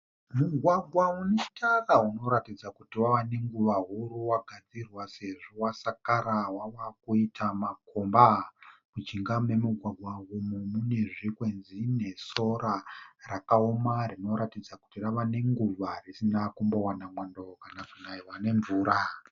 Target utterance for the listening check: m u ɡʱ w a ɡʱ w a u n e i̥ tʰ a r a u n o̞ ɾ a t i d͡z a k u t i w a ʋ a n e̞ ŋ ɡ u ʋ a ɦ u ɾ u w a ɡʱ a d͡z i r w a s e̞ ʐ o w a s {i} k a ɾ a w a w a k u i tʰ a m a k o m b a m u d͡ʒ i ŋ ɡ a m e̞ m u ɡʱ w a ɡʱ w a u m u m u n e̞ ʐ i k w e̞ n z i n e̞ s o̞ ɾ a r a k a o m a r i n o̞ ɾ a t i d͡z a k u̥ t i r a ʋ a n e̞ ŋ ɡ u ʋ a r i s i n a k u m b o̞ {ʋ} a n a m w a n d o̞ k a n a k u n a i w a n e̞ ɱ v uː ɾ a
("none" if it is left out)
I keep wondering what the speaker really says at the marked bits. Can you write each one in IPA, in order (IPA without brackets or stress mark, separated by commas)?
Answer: a, w